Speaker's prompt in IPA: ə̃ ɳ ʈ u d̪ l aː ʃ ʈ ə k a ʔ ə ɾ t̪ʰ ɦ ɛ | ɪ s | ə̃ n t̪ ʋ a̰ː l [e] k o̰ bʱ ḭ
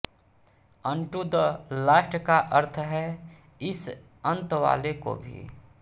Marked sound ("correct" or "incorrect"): correct